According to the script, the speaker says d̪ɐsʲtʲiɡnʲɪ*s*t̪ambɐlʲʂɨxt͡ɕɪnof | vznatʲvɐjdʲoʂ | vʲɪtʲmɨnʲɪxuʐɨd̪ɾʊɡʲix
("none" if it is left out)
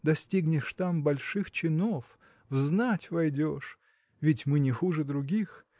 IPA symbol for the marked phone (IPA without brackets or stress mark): ʂ